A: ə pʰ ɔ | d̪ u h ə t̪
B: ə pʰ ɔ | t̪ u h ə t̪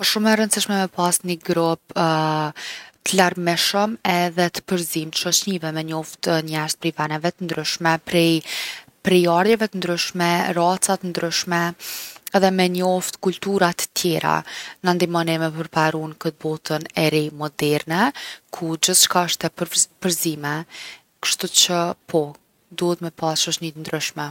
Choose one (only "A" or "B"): A